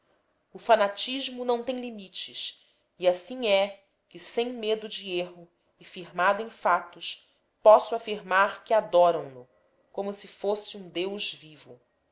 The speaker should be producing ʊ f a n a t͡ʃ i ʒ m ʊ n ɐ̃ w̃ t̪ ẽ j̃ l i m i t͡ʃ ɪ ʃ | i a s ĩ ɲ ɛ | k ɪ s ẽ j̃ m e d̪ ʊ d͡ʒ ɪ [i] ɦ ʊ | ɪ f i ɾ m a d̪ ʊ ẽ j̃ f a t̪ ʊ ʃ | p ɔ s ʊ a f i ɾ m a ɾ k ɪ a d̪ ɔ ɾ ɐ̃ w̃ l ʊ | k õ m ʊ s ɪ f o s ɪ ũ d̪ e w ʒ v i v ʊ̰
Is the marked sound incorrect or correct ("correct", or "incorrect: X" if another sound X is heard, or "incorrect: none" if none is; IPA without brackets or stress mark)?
incorrect: e